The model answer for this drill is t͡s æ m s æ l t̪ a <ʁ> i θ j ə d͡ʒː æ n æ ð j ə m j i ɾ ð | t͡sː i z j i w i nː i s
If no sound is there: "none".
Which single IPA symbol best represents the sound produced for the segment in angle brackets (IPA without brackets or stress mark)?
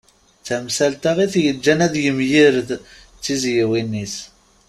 ʁ